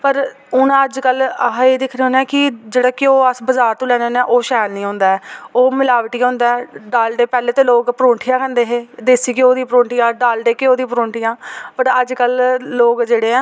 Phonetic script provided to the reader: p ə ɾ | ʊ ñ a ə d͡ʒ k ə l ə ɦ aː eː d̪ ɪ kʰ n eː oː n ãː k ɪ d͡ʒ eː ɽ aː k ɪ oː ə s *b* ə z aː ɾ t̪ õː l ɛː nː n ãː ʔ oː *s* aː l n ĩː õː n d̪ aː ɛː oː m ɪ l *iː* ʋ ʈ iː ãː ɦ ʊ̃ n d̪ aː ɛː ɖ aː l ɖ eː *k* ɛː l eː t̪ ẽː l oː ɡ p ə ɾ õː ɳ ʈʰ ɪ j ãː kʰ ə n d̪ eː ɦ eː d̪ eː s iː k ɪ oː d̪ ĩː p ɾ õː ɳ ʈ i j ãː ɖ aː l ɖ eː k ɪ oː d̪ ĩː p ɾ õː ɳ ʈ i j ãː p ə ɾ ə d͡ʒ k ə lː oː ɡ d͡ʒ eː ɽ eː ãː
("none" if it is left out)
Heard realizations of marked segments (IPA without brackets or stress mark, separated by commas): b, ʃ, aː, p